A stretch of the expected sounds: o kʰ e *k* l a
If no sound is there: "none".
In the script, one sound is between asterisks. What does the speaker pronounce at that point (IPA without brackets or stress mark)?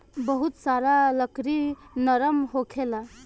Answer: none